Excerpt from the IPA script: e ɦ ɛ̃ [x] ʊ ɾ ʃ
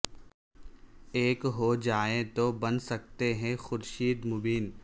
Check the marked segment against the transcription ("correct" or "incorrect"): correct